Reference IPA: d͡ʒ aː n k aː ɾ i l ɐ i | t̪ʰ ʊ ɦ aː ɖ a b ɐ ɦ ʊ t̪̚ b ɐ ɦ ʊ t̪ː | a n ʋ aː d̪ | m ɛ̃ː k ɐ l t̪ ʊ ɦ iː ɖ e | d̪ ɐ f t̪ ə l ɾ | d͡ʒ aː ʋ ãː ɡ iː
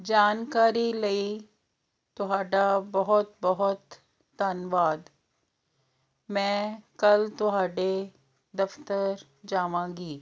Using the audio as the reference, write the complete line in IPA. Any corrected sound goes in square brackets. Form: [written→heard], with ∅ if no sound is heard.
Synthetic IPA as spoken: d͡ʒ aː n k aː ɾ i l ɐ i | [t̪ʰ→t̪] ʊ ɦ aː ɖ a b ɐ ɦ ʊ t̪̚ b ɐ ɦ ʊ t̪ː | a n ʋ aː d̪ | m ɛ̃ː k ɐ l t̪ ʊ ɦ [iː→aː] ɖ e | d̪ ɐ f t̪ ə [l→∅] ɾ | d͡ʒ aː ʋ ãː ɡ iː